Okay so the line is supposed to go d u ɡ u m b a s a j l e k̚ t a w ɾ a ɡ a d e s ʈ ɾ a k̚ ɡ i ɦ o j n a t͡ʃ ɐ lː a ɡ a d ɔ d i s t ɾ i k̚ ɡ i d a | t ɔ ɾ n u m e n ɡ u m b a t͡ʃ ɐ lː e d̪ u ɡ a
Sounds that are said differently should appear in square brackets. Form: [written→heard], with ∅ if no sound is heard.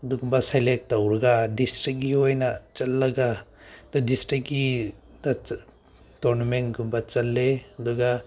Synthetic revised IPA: d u ɡ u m b a s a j l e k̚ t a w ɾ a ɡ a d [e→i] s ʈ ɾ [a→i] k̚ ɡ i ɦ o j n a t͡ʃ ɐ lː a ɡ a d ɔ d i s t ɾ i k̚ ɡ i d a | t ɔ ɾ n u m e n ɡ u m b a t͡ʃ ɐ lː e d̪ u ɡ a